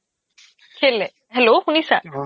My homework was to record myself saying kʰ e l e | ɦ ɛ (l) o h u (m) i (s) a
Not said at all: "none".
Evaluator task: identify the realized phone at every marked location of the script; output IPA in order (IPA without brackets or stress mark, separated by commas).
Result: l, n, s